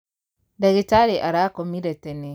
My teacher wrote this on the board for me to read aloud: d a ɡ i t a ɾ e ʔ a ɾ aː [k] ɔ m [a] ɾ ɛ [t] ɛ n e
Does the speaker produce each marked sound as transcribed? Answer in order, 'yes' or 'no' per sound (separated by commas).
yes, no, yes